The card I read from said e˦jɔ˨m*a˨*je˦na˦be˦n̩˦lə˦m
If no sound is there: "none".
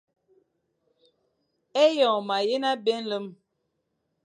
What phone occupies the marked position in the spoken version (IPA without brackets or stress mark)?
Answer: a˨